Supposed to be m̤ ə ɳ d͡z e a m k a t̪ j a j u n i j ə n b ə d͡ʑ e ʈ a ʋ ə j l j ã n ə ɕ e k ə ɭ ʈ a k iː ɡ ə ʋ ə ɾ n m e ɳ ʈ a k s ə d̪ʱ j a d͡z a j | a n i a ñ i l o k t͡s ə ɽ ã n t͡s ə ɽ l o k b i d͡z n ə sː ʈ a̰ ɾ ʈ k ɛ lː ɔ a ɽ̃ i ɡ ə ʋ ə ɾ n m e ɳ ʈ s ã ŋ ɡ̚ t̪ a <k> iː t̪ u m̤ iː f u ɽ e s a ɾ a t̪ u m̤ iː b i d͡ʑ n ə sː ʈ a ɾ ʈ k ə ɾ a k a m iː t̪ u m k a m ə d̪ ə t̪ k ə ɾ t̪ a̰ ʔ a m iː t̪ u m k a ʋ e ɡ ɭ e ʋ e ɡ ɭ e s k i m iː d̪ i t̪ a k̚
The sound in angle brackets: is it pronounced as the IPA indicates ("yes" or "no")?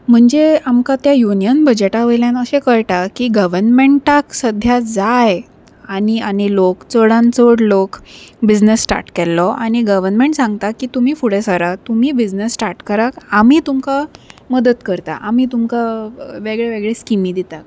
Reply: yes